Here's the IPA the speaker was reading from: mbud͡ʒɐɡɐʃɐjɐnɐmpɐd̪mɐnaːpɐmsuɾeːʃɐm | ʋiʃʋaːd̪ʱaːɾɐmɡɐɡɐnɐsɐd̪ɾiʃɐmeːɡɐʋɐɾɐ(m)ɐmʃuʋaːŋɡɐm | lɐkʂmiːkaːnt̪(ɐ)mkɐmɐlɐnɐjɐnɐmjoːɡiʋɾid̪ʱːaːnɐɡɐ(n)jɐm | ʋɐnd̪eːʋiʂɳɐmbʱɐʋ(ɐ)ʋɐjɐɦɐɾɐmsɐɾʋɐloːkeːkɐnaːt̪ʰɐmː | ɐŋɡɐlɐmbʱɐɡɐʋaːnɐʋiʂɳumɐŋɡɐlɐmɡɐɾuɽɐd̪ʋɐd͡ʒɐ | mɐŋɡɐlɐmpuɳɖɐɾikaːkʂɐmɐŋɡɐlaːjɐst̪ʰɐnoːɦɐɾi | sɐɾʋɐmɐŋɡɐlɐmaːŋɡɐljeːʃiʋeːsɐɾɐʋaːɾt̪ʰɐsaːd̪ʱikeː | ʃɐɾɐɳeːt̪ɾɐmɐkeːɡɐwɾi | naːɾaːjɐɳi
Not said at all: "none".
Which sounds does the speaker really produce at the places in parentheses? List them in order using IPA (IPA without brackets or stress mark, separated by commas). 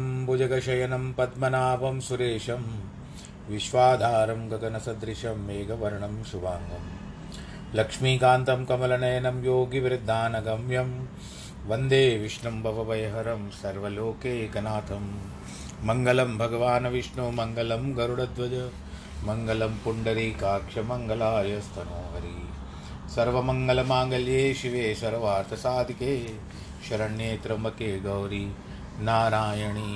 ɳ, ɐ, m, ɐ